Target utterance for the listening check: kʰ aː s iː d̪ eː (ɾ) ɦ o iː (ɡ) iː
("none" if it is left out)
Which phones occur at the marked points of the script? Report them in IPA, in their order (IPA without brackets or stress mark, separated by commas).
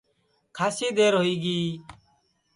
ɾ, ɡ